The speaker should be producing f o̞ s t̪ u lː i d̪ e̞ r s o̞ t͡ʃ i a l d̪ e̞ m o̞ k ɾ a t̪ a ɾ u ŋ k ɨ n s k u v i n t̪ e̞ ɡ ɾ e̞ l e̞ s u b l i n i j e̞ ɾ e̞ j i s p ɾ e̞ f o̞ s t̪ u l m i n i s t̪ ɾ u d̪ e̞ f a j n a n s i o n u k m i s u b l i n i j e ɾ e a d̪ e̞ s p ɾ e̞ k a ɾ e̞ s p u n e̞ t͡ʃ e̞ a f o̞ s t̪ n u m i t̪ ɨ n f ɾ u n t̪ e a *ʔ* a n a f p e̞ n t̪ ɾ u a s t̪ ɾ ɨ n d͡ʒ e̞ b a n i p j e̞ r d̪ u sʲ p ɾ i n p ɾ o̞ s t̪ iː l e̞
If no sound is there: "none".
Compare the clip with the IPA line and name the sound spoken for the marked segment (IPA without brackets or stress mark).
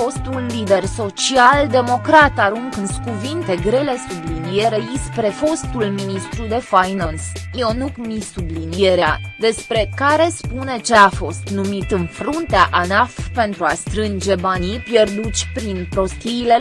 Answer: ʔ